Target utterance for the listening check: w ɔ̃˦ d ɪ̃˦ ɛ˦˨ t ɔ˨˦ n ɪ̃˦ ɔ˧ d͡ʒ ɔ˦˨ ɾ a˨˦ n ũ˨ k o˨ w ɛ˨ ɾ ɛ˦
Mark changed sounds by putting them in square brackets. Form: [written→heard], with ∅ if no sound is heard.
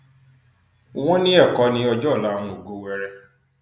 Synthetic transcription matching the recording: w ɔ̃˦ [d→n] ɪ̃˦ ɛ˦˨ [t→k] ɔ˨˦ n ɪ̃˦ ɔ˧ d͡ʒ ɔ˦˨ [ɾ→l] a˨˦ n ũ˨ [k→ɡ] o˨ w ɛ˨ ɾ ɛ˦